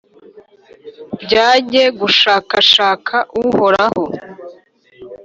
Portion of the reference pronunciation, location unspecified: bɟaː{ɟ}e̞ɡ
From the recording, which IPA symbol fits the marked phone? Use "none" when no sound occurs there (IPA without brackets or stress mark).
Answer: ɟ